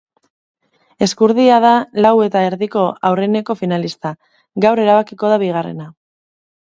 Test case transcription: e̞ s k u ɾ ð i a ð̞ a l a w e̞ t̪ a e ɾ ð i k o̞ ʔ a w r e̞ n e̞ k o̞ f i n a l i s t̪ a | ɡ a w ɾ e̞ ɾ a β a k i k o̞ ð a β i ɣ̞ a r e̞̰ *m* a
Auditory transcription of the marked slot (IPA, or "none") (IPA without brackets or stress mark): n